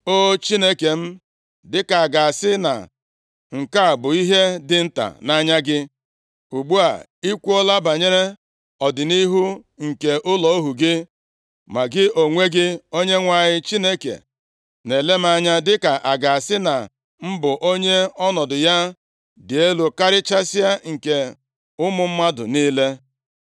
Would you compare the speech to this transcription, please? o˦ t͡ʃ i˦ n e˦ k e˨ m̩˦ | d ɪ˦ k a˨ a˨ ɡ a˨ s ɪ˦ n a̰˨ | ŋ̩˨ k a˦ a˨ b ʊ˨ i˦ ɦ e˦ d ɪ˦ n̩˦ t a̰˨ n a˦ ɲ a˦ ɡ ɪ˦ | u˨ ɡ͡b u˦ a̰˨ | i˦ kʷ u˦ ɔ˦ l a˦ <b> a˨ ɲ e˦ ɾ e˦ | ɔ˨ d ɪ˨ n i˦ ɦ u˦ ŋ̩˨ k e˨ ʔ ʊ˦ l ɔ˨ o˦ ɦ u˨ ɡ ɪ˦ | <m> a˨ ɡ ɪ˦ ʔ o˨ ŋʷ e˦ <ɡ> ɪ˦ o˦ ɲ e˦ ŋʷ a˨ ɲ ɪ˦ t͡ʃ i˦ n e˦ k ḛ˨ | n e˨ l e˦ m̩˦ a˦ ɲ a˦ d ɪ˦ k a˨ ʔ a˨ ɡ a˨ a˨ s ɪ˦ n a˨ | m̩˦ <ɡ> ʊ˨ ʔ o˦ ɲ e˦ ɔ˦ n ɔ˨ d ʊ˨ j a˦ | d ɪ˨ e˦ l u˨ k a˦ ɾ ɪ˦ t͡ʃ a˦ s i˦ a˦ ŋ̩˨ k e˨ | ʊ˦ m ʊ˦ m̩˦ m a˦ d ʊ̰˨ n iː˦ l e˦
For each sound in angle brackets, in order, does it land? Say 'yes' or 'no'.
yes, yes, yes, no

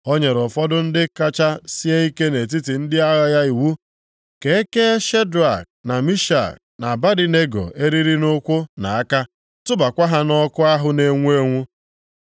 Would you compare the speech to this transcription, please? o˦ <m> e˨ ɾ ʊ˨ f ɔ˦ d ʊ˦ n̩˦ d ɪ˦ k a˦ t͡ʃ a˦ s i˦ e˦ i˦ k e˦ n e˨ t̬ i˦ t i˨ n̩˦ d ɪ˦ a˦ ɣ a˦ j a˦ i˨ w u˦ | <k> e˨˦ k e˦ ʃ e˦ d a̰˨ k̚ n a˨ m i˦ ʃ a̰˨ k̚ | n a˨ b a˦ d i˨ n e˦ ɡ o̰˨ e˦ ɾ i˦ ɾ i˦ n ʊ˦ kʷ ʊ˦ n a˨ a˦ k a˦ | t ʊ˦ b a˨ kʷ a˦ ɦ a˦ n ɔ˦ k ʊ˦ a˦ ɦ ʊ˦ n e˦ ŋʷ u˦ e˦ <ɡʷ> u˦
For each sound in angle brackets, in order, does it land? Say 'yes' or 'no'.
no, yes, no

